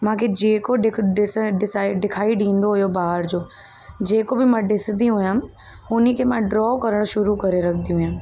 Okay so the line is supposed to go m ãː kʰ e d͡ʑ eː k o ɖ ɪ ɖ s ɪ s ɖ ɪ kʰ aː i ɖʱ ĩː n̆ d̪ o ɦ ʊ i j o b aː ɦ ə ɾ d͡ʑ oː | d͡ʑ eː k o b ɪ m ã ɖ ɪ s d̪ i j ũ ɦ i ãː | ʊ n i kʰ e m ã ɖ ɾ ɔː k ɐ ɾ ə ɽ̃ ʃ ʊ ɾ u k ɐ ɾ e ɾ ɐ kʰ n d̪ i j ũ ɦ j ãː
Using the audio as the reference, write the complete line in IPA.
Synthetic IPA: m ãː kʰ e d͡ʑ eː k o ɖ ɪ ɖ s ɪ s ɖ ɪ kʰ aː i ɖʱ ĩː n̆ d̪ o ɦ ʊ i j o b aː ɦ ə ɾ d͡ʑ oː | d͡ʑ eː k o b ɪ m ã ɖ ɪ s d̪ i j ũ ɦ j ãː | ʊ n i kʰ e m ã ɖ ɾ ɔː k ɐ ɾ ə ɽ̃ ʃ ʊ ɾ u k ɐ ɾ e ɾ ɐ kʰ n d̪ i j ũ ɦ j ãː

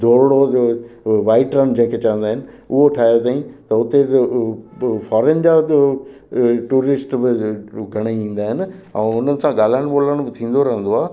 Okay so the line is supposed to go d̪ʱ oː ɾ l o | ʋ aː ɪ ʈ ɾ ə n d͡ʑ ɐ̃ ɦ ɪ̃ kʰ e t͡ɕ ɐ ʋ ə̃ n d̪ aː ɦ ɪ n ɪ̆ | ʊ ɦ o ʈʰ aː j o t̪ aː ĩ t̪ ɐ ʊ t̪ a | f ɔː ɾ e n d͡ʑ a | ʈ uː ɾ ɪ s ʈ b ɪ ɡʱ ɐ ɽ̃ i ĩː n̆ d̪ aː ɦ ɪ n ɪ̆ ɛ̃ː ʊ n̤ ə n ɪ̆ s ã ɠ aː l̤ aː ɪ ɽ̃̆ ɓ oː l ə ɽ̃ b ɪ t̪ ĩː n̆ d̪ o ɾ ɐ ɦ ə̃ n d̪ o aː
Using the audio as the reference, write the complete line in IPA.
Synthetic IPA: d̪ʱ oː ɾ ɽ o | ʋ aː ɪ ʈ ɾ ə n d͡ʑ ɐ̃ ɦ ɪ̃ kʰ e t͡ɕ ɐ ʋ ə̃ n d̪ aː ɦ ɪ n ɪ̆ | ʊ ɦ o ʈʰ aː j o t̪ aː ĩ t̪ ɐ ʊ t̪ e | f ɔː ɾ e n d͡ʑ a | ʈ uː ɾ ɪ s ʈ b ɪ ɡʱ ɐ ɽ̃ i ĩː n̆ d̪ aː ɦ ɪ n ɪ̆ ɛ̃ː ʊ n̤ ə n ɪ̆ s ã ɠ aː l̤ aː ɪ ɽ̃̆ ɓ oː l ə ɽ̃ b ɪ t̪ʰ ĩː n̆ d̪ o ɾ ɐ ɦ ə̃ n d̪ o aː

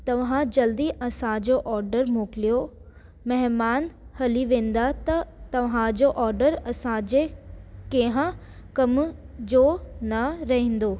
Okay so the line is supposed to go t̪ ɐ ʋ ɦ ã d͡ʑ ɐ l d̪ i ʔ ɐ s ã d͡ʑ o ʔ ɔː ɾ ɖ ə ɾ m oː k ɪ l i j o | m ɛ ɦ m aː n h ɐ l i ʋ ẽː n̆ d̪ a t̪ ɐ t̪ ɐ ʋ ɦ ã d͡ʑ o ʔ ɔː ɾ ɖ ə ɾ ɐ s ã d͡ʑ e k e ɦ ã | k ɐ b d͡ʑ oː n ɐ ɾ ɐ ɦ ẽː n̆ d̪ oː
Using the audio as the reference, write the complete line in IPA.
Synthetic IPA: t̪ ɐ ʋ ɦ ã d͡ʑ ɐ l d̪ i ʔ ɐ s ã d͡ʑ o ʔ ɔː ɾ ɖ ə ɾ m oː k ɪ l i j o | m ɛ ɦ m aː n h ɐ l i ʋ ẽː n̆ d̪ a t̪ ɐ t̪ ɐ ʋ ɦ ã d͡ʑ o ʔ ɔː ɾ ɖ ə ɾ ɐ s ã d͡ʑ e k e ɦ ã | k ɐ m d͡ʑ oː n ɐ ɾ ɐ ɦ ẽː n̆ d̪ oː

